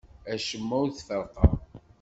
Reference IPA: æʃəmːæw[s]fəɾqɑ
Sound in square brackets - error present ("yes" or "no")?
yes